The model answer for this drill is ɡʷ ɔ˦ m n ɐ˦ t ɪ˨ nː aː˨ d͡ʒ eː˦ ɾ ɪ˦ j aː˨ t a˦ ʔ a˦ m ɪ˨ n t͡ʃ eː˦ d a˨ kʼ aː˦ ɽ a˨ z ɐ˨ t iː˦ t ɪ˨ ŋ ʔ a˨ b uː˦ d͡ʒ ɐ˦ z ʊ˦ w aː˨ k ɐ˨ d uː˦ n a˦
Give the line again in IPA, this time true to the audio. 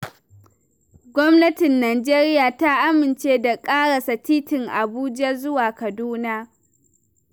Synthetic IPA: ɡʷ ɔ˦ m n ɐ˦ t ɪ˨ nː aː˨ d͡ʒ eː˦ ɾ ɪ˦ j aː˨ t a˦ ʔ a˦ m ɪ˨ n t͡ʃ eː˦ d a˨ kʼ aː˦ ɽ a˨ s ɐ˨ t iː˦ t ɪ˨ ŋ ʔ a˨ b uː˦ d͡ʒ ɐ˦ z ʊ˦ w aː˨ k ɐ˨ d uː˦ n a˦